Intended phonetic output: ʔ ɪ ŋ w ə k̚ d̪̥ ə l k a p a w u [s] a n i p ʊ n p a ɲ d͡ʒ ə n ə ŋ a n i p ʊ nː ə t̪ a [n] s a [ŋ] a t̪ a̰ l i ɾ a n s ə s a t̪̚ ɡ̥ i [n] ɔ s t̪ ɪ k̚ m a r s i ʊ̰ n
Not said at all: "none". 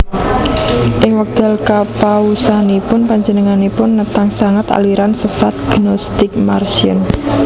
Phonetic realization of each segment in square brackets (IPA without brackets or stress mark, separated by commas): s, ŋ, ŋ, n